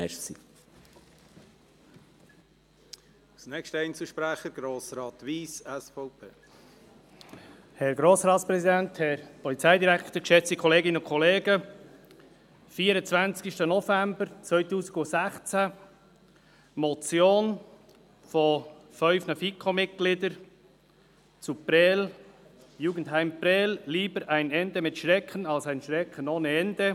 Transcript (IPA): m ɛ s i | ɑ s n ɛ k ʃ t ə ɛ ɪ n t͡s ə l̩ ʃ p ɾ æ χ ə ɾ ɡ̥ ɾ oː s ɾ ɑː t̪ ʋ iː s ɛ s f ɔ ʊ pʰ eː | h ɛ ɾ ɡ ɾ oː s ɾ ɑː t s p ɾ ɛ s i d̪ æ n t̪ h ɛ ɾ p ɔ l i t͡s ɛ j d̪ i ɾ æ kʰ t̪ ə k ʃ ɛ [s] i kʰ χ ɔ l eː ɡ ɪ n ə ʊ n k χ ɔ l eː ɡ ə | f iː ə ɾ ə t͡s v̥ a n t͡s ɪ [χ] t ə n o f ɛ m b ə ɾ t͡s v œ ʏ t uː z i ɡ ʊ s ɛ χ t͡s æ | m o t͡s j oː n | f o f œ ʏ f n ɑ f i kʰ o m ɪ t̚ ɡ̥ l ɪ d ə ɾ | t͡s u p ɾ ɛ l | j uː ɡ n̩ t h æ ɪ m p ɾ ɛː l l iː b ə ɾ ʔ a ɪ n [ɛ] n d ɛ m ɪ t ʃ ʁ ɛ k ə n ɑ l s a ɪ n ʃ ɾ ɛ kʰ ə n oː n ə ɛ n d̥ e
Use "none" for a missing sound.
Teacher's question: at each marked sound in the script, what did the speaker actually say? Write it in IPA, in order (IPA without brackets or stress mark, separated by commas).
t͡s, ʃ, ɛ